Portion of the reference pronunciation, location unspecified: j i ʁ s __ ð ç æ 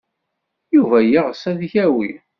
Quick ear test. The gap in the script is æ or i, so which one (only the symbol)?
æ